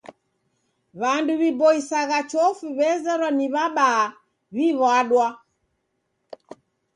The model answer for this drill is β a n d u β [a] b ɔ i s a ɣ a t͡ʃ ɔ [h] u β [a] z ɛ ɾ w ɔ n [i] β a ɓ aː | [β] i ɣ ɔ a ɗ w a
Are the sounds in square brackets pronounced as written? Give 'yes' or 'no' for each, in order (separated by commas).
no, no, no, yes, yes